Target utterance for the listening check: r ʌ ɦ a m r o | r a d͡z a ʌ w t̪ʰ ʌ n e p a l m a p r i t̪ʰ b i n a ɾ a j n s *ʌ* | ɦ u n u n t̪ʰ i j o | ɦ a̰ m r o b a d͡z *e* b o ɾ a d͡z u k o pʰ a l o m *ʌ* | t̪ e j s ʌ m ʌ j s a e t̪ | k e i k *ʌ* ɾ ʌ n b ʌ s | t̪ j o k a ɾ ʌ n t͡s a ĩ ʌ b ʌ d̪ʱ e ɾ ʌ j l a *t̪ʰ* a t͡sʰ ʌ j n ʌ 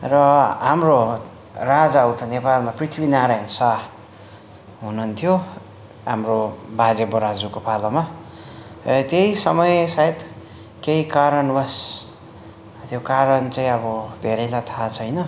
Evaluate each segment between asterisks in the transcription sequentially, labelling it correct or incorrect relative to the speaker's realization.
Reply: incorrect: a, correct, incorrect: a, incorrect: a, correct

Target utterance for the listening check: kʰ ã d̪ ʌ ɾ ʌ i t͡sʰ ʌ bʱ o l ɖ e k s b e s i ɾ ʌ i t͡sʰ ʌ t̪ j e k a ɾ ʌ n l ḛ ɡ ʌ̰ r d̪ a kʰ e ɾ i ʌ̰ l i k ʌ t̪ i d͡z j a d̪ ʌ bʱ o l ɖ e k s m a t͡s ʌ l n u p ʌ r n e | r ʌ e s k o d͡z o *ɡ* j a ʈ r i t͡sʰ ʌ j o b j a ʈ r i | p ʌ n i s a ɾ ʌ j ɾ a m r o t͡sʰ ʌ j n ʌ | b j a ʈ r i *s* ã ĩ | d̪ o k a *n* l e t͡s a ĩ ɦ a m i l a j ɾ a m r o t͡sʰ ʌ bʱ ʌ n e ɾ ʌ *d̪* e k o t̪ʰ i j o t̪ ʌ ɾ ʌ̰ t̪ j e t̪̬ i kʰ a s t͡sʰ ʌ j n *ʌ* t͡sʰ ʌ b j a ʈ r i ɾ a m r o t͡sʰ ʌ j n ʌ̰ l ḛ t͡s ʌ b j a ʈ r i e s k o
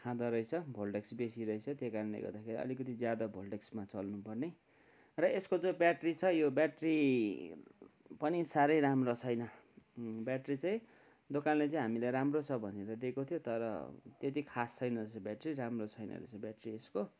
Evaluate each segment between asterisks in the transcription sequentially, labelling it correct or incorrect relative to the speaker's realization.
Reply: incorrect: b, incorrect: t͡s, correct, correct, correct

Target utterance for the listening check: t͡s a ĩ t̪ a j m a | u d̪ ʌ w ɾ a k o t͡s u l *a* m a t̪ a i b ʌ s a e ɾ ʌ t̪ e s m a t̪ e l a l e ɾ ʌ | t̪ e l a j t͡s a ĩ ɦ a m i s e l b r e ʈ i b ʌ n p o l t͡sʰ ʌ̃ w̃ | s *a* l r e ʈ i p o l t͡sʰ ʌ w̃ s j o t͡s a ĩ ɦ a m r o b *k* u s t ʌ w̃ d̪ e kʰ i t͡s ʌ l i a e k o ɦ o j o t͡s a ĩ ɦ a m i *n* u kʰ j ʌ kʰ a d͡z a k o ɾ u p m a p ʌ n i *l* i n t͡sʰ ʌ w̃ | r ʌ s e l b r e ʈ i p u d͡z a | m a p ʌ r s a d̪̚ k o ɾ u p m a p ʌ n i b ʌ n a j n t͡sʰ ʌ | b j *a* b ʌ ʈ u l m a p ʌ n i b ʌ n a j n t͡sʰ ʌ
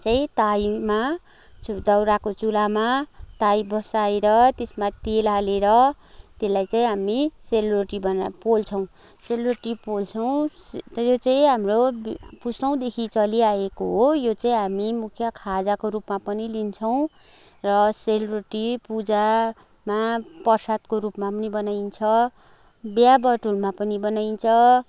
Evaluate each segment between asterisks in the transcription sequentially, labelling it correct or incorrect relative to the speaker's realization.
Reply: correct, incorrect: e, incorrect: p, incorrect: m, correct, correct

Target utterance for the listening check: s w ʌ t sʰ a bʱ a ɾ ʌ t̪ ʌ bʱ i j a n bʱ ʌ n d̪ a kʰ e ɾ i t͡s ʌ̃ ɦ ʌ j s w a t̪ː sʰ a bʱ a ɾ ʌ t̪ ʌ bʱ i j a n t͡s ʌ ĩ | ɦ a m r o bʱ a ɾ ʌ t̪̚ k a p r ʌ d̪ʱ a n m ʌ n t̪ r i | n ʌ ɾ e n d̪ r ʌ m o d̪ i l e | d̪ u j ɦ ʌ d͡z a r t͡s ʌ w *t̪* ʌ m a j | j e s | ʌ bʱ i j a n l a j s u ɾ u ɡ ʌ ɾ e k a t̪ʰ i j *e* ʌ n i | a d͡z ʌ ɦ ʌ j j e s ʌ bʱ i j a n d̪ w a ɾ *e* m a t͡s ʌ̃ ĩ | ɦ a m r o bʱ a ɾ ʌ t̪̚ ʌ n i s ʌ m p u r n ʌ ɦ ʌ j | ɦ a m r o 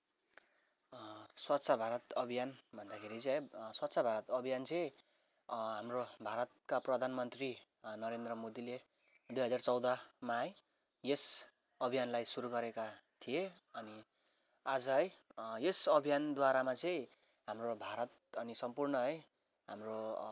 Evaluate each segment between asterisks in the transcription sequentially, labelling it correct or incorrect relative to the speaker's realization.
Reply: incorrect: d̪, correct, incorrect: a

